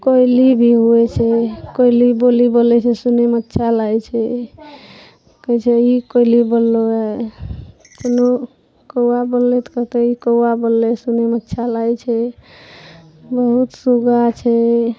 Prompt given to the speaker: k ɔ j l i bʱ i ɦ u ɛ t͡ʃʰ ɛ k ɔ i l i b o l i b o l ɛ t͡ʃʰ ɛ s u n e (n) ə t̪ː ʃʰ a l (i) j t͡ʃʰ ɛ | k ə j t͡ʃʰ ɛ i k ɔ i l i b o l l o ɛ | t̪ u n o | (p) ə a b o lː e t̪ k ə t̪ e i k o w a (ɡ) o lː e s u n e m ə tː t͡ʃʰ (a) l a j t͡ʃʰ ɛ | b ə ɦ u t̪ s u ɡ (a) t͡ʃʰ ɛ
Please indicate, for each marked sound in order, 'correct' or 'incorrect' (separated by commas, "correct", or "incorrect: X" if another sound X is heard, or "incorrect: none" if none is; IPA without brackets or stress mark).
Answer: incorrect: m, incorrect: a, incorrect: k, incorrect: b, correct, correct